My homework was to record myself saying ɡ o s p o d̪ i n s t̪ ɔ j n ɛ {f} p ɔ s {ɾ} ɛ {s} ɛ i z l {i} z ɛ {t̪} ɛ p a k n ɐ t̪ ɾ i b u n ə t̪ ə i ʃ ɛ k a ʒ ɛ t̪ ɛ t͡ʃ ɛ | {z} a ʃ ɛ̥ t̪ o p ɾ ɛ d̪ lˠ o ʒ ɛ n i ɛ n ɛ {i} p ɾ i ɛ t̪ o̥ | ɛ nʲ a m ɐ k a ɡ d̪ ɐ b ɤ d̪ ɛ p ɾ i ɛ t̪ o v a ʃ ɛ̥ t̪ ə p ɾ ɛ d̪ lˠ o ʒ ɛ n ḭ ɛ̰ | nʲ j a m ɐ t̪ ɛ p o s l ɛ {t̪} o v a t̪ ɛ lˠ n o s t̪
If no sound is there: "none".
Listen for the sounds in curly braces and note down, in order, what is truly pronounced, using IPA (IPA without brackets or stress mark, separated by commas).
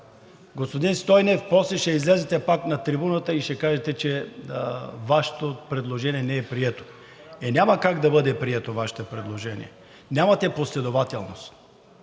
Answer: f, l, ʃ, ɛ, t̪, v, ɛ, d̪